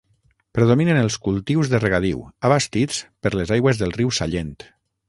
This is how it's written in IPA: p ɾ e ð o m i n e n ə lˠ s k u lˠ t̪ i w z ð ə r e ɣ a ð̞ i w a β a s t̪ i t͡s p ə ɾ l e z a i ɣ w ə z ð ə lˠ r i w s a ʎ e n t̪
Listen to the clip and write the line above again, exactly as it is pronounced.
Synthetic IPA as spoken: p ɾ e ð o m i n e n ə lˠ s k u lˠ t̪ i w z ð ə r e ɣ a ð̞ i w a β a s t̪ i t͡s p ə ɾ l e z a j ɣ w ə z ð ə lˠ r i w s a ʎ e n t̪